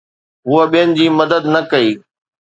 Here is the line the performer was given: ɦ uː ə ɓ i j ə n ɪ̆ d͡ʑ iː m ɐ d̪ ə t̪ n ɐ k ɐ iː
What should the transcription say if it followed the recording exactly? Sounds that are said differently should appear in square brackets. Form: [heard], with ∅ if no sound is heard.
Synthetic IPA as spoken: ɦ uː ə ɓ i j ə n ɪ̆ d͡ʑ iː m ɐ d̪ ə [d̪] n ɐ k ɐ iː